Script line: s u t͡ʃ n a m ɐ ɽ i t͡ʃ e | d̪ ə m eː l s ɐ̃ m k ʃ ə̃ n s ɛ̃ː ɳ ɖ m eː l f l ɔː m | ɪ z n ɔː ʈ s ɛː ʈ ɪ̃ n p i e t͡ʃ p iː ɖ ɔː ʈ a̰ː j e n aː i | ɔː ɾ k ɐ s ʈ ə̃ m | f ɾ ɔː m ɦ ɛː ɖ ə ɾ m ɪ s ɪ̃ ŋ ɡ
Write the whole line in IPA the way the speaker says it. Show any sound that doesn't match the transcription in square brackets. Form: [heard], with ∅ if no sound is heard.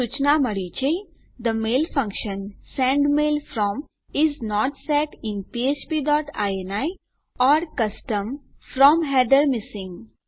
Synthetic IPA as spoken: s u t͡ʃ n a m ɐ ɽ i t͡ʃ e | d̪ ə m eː l [f] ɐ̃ [ŋ] k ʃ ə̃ n s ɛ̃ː ɳ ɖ m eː l f [ɾ] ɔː m | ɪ z n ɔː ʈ s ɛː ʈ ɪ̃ n p i e t͡ʃ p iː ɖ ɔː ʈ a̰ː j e n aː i | ɔː ɾ k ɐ s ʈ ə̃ m | f ɾ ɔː m ɦ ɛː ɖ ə ɾ m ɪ s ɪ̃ ŋ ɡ